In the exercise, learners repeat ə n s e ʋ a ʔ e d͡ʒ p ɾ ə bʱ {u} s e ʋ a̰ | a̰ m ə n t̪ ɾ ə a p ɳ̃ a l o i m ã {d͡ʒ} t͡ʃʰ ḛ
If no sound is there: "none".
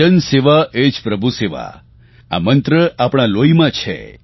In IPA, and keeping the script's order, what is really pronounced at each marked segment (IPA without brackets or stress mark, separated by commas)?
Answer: u, none